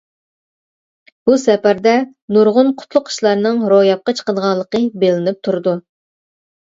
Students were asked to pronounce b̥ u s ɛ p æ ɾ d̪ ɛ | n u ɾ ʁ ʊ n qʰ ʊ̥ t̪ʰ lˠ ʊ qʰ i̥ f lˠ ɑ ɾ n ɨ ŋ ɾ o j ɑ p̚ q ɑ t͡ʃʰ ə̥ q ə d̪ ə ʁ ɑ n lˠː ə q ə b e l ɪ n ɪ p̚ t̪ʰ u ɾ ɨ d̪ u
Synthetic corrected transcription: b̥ u s ɛ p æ ɾ d̪ ɛ | n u ɾ ʁ ʊ n qʰ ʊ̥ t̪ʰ lˠ ʊ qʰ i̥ ʃ lˠ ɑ ɾ n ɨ ŋ ɾ o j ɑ p̚ q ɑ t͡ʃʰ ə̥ q ə d̪ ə ʁ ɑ n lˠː ə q ə b e l ɪ n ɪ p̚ t̪ʰ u ɾ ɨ d̪ u

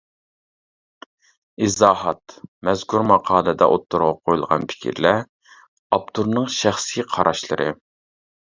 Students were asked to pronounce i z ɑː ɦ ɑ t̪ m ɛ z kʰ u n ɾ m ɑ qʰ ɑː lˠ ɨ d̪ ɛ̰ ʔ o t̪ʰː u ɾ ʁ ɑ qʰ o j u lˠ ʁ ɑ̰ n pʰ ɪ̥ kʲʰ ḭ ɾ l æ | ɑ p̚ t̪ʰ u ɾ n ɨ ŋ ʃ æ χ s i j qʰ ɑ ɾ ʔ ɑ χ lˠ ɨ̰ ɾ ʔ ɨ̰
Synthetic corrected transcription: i z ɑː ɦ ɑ t̪ m ɛ z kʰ u ɾ m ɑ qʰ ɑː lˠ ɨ d̪ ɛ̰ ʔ o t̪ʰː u ɾ ʁ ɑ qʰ o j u lˠ ʁ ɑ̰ n pʰ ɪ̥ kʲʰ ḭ ɾ l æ | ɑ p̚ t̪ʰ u ɾ n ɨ ŋ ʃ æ χ s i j qʰ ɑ ɾ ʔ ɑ ʃ lˠ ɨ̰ ɾ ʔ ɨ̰

